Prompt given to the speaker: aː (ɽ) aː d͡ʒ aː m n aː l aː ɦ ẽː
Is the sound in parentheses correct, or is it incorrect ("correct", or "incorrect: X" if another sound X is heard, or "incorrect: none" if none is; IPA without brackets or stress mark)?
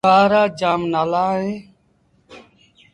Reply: incorrect: ɾ